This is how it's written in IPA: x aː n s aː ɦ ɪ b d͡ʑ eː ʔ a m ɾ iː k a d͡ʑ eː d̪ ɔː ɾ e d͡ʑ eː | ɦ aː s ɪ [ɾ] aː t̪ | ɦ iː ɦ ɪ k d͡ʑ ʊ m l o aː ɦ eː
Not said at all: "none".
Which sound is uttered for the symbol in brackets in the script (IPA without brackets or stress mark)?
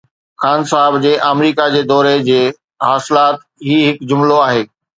l